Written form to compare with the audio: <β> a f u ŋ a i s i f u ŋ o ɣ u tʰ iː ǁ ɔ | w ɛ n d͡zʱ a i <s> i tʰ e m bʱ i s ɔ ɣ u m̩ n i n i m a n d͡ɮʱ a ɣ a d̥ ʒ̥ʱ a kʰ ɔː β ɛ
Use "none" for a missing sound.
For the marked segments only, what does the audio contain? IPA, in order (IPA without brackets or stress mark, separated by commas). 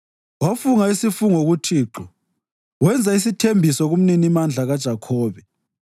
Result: w, s